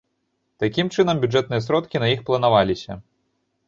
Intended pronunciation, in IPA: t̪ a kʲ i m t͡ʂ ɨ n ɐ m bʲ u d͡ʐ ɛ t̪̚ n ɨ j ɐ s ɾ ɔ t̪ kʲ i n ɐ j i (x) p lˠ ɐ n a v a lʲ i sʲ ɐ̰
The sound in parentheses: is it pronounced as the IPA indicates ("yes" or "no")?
yes